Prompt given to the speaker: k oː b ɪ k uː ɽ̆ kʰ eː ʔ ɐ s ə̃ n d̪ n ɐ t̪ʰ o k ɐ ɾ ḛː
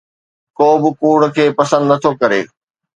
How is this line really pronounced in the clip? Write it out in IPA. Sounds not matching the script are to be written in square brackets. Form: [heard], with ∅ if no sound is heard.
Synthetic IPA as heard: k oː b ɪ k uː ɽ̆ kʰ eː [p] ɐ s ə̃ n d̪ n ɐ t̪ʰ o k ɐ ɾ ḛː